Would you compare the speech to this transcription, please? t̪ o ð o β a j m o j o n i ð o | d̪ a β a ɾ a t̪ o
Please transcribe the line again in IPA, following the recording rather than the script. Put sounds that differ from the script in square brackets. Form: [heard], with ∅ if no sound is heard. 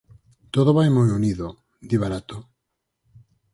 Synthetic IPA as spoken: t̪ o ð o β a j m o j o n i ð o | d̪ [i] β a ɾ a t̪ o